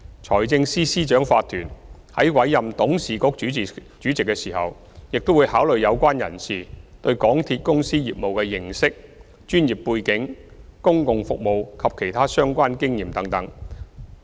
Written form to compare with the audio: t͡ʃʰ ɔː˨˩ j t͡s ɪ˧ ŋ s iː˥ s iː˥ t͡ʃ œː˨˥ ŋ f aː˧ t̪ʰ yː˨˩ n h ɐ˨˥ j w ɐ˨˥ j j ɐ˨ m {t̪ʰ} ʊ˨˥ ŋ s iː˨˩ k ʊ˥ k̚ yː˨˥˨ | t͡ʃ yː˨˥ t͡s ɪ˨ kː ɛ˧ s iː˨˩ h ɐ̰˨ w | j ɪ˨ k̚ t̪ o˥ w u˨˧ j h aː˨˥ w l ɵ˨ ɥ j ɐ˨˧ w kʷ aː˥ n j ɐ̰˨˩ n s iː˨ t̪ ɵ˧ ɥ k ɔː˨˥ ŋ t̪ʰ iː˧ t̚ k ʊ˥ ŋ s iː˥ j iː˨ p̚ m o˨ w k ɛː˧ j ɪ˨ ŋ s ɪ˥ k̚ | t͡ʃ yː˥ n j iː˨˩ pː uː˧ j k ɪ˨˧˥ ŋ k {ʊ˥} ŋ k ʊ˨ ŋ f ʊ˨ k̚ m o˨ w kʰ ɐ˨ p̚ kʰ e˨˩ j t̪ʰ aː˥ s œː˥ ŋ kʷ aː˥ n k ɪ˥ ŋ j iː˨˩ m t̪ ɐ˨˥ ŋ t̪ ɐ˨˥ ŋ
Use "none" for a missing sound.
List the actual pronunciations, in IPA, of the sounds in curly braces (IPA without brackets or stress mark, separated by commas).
t̪, ʊ˥